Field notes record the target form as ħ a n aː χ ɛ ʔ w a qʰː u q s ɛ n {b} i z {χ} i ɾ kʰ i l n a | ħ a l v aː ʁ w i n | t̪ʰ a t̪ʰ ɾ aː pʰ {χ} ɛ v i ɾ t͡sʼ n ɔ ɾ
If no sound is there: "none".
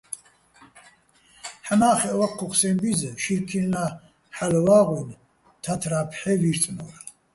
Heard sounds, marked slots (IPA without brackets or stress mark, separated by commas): b, ʃ, ħ